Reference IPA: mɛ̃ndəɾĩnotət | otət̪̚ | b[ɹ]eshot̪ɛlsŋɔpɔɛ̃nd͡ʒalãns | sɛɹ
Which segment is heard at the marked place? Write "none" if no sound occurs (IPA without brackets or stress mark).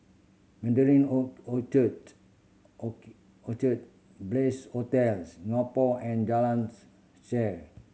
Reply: l